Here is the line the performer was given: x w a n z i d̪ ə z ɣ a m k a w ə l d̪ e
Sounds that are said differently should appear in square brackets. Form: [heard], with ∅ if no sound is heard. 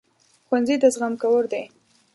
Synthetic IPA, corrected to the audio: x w a n z i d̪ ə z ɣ a m k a w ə [ɾ] d̪ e